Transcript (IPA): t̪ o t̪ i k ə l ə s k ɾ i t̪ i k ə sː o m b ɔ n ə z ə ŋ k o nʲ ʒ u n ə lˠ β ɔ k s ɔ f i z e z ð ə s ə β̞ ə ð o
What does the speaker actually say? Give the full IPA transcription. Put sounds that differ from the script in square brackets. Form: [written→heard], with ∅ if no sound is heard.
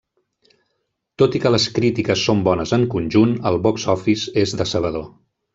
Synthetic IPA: t̪ o t̪ i k ə l ə s k ɾ i t̪ i k ə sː o m b ɔ n ə z ə ŋ k [o→u] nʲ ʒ u n ə lˠ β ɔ k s ɔ f i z e z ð ə s ə β̞ ə ð o